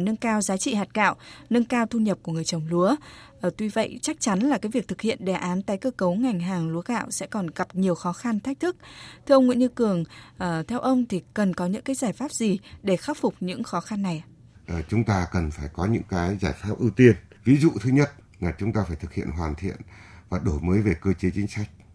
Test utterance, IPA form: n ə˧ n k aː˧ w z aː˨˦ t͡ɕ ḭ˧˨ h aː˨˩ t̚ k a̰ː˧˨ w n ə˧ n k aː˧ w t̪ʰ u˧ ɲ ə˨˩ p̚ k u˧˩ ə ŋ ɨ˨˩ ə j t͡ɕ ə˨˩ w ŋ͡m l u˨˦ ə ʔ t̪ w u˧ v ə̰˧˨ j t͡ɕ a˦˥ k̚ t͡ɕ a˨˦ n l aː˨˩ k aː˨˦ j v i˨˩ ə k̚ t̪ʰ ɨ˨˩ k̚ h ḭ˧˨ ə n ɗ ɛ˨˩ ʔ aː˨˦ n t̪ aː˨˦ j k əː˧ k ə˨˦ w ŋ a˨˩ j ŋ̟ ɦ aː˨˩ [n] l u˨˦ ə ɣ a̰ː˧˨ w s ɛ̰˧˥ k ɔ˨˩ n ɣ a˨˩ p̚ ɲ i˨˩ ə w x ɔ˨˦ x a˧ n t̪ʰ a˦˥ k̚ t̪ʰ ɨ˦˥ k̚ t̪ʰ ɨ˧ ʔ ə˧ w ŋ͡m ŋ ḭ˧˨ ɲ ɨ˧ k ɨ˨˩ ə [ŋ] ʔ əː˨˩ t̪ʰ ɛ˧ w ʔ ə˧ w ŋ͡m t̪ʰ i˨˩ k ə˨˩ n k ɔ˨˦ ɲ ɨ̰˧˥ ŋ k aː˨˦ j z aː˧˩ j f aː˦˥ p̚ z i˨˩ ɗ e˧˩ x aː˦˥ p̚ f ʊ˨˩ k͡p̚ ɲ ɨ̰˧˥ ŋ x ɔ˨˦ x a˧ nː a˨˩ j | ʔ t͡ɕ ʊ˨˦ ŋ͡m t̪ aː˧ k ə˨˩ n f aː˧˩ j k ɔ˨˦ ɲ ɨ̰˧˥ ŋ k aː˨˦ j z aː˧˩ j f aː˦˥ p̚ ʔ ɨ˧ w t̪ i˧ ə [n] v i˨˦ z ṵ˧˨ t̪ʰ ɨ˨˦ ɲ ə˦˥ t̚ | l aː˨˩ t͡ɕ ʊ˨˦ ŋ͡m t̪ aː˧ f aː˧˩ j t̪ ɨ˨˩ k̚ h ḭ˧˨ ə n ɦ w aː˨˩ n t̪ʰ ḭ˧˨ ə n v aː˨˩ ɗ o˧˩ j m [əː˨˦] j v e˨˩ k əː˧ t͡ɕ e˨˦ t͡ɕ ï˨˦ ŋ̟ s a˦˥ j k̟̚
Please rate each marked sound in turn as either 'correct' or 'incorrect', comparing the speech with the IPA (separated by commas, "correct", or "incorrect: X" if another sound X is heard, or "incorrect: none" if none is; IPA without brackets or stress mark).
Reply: incorrect: ŋ, correct, correct, correct